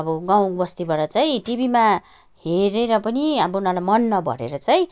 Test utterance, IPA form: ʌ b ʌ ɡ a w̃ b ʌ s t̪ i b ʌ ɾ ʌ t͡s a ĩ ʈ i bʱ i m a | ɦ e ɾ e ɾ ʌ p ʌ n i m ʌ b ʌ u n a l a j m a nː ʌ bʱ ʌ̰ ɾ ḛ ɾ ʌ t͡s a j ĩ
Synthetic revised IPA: ʌ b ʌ ɡ a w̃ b ʌ s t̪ i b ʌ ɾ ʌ t͡s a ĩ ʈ i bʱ i m a | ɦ e ɾ e ɾ ʌ p ʌ n i ʌ b ʌ u n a l a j m ʌ nː ʌ bʱ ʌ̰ ɾ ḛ ɾ ʌ t͡s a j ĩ